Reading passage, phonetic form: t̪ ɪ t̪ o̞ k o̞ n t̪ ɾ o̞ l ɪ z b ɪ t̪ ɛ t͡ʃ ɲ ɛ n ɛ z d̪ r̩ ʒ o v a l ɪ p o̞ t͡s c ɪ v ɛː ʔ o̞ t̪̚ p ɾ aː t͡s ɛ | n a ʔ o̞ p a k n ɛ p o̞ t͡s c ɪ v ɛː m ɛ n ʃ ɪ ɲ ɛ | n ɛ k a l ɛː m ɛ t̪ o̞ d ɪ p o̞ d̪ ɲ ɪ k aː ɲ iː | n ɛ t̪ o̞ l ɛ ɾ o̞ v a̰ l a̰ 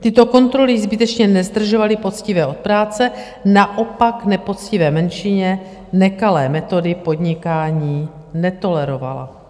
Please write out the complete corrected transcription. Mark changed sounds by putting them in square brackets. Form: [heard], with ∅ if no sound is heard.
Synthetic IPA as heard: t̪ ɪ t̪ o̞ k o̞ n t̪ ɾ o̞ l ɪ z b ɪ t̪ ɛ t͡ʃ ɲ ɛ n ɛ z d̪ r̩ ʒ o v a l ɪ p o̞ t͡s c ɪ v ɛː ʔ o̞ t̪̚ p ɾ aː t͡s ɛ | n a ʔ o̞ p a k n ɛ p o̞ t͡s c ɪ v ɛː m ɛ n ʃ ɪ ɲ ɛ | n ɛ k a l ɛː m ɛ t̪ o̞ d ɪ p o̞ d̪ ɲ ɪ k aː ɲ iː | n ɛ t̪ o̞ l ɛ ɾ o̞ v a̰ l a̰